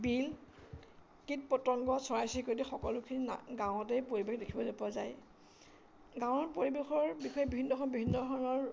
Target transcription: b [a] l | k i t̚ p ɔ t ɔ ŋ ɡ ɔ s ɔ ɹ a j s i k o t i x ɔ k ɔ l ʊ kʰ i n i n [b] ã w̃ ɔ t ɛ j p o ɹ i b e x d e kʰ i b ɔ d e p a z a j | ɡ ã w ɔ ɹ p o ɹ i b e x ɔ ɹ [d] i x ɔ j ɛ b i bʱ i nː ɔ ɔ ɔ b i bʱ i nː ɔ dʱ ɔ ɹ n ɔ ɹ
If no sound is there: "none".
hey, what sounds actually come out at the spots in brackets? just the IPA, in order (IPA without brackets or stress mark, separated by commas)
i, ɡ, b